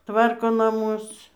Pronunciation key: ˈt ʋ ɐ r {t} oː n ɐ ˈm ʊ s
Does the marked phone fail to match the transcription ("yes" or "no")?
yes